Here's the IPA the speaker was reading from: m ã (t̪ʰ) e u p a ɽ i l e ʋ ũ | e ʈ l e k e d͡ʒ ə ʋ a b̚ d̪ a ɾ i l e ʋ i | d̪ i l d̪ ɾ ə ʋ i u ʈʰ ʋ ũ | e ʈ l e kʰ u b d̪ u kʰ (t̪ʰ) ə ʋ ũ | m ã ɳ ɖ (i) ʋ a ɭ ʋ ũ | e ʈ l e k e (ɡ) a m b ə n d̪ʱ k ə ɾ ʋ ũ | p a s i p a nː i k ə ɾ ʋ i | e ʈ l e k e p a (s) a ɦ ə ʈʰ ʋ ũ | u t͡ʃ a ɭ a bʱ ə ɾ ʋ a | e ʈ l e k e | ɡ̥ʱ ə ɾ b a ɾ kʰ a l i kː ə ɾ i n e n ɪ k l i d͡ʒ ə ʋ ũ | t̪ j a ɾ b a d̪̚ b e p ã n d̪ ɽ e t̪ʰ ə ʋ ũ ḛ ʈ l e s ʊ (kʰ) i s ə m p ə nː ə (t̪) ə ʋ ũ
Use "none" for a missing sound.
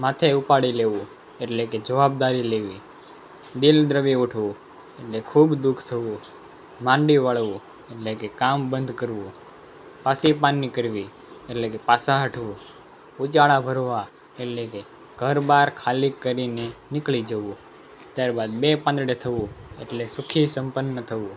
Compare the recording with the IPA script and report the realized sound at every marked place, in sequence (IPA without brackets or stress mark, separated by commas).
t̪ʰ, t̪ʰ, i, k, s, kʰ, t̪ʰ